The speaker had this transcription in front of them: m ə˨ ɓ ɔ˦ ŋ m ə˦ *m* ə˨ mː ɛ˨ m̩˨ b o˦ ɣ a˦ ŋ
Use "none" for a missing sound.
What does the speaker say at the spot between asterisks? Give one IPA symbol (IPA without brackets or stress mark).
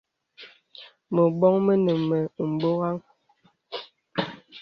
n